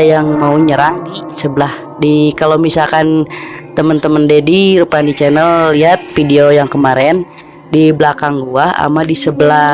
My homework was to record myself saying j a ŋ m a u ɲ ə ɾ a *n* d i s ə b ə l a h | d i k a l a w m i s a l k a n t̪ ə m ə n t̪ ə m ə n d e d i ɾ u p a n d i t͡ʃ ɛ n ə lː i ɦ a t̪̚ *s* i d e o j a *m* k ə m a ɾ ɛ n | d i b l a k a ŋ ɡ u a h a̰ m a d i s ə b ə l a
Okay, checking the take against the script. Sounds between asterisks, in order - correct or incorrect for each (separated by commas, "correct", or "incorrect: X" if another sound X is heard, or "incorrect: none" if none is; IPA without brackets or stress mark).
incorrect: ŋ, incorrect: f, incorrect: ŋ